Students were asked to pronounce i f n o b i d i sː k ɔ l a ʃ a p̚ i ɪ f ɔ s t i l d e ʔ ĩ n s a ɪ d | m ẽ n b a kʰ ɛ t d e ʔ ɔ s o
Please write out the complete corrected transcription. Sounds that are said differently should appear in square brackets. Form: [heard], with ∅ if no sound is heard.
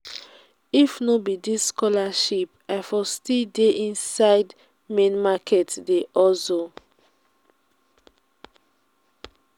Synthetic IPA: i f n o b i d i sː k ɔ l a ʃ [i] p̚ [a] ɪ f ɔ s t i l d e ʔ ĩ n s a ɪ d | m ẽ n [m] a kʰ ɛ t d e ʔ ɔ s o